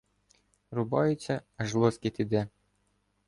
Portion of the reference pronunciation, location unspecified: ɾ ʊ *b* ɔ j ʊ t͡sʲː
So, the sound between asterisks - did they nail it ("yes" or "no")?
yes